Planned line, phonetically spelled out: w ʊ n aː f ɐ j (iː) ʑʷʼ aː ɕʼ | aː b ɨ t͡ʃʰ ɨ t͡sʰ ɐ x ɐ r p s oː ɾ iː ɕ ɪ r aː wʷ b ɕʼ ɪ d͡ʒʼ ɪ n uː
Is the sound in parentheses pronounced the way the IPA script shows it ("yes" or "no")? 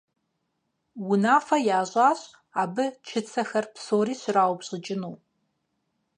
no